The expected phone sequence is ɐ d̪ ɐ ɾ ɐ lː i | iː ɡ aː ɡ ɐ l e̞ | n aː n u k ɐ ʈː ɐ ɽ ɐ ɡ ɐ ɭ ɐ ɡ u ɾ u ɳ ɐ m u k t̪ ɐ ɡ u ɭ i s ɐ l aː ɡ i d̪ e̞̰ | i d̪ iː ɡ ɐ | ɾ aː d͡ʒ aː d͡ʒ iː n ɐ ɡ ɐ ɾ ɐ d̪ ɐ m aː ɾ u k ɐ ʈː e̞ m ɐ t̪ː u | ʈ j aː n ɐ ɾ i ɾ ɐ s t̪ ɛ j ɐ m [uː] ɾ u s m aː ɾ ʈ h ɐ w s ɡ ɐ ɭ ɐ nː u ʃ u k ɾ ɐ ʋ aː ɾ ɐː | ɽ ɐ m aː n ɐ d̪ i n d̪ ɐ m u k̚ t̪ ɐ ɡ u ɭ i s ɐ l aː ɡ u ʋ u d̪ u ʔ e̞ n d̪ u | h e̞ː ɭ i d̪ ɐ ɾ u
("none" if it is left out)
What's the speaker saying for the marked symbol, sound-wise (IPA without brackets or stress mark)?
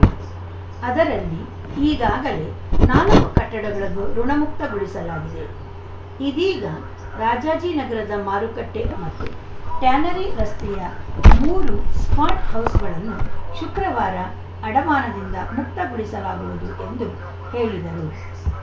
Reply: uː